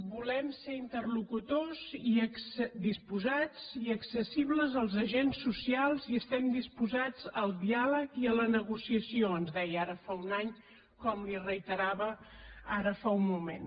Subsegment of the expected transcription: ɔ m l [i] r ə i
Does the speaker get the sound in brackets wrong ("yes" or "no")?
no